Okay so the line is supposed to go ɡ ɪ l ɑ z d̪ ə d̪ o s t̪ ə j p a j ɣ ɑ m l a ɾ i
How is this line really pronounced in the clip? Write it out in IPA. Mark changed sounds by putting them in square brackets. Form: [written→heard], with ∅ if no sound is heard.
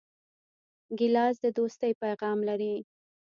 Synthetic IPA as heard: ɡ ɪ l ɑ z d̪ ə d̪ o s t̪ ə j p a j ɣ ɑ m l a ɾ i